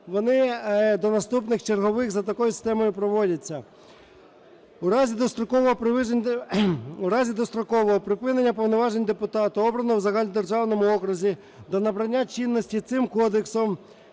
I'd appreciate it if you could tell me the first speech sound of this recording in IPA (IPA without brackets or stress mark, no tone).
ʋ